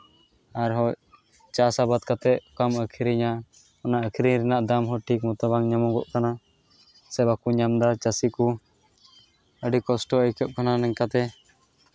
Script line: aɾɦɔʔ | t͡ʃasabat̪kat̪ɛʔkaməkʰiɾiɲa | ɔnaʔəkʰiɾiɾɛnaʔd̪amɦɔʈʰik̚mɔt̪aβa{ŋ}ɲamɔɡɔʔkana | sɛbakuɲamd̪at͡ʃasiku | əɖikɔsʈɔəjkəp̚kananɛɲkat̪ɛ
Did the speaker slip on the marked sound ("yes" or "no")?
no